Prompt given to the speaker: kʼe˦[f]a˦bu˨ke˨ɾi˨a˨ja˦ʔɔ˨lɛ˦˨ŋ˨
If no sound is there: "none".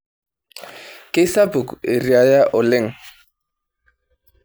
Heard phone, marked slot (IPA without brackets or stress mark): s